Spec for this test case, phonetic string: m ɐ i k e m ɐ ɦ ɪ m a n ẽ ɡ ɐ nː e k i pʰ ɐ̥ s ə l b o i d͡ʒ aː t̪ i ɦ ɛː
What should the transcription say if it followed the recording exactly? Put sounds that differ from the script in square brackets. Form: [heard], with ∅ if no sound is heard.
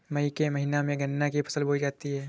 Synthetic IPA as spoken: m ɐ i k e m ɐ ɦ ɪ [n] a [m] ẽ ɡ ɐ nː [a] k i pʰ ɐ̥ s ə l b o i d͡ʒ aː t̪ i ɦ ɛː